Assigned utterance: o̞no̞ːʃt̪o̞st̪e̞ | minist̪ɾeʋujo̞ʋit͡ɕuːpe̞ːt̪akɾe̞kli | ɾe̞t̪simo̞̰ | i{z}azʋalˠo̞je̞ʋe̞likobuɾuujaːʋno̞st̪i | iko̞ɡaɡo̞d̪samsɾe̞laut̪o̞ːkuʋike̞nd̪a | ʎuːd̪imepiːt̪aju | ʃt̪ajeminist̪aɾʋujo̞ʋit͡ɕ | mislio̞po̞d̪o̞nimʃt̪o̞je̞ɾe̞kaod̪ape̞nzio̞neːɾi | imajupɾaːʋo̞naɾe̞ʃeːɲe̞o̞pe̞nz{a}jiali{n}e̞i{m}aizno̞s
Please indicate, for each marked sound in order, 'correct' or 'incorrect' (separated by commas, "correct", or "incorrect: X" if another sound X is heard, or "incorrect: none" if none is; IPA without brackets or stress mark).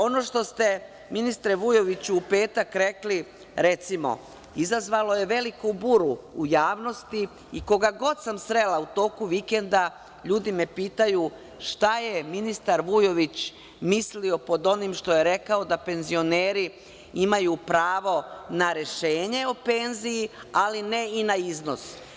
correct, incorrect: i, correct, incorrect: n